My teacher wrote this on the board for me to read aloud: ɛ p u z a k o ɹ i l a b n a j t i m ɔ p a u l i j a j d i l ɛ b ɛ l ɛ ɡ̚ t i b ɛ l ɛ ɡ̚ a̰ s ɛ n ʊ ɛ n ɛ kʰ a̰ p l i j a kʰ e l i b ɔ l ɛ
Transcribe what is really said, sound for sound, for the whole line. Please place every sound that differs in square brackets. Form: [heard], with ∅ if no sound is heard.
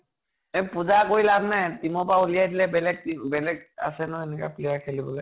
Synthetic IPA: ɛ p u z a k o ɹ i l a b n a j t i m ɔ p a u l i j a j d i l ɛ b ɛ l ɛ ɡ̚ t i b ɛ l ɛ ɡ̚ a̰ s ɛ n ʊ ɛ n ɛ [k] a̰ p l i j a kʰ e l i b ɔ l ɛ